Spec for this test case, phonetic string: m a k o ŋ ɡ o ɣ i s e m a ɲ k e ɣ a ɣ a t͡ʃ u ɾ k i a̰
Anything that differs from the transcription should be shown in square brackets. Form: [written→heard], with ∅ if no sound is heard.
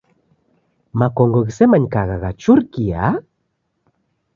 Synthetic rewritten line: m a k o ŋ ɡ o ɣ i s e m a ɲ k [e→a] ɣ a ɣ a t͡ʃ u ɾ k i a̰